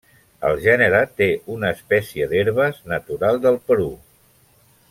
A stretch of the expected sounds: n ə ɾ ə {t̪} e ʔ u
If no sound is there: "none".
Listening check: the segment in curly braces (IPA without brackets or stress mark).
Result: t̪